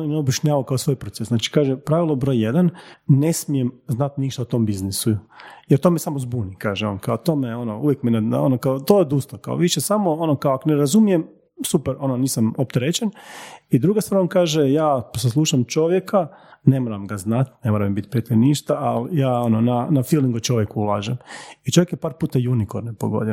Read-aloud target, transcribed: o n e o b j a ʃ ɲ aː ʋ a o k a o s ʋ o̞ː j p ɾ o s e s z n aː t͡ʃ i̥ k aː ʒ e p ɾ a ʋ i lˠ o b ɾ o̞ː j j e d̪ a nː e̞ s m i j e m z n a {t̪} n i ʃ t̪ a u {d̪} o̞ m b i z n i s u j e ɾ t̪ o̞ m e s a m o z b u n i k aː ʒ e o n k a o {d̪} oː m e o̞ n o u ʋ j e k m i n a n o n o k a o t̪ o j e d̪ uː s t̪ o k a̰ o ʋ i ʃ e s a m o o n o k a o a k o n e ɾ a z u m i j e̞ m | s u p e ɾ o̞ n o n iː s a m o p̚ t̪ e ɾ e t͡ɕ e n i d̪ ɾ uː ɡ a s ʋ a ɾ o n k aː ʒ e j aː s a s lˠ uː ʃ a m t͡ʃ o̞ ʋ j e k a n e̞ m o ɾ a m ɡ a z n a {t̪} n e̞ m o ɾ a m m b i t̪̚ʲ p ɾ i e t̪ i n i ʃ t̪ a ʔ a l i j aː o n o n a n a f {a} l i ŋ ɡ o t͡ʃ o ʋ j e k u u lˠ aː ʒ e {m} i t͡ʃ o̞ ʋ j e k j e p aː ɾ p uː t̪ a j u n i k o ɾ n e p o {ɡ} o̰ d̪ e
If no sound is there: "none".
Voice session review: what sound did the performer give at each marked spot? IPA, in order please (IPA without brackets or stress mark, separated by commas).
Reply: t̪, t̪, t̪, t̪, i, m, ɡ